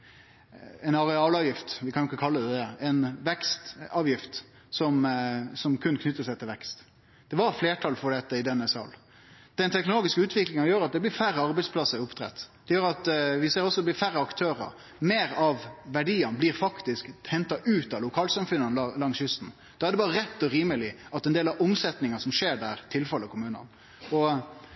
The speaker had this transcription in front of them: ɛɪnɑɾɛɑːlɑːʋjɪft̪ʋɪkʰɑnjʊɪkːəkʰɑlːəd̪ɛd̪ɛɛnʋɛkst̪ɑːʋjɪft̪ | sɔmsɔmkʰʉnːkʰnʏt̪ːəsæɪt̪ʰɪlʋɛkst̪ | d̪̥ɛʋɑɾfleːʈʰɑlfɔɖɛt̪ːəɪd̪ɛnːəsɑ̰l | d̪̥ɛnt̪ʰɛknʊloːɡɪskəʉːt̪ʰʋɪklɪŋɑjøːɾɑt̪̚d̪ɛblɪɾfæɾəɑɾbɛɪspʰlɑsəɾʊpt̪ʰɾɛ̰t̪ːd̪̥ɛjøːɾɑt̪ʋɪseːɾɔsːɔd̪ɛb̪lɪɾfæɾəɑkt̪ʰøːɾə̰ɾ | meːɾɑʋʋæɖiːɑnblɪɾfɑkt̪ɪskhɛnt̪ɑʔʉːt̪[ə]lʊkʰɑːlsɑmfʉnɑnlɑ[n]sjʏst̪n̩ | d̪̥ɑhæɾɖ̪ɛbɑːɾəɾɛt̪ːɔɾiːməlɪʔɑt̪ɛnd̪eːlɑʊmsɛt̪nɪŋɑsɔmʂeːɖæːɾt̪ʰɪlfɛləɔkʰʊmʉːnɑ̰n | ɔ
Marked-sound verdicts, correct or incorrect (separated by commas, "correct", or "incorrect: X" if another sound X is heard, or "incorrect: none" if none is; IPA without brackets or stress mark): incorrect: ɑ, incorrect: ŋ